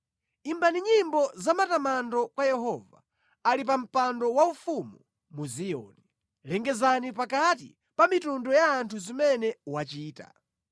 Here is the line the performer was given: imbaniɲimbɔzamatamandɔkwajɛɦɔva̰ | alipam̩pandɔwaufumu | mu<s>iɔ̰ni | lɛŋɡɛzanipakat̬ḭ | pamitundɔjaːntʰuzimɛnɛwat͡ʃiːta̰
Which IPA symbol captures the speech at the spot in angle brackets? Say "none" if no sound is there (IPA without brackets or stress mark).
z